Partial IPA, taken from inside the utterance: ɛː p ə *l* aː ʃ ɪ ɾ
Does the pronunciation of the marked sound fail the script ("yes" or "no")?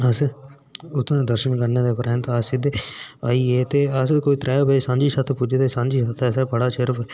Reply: yes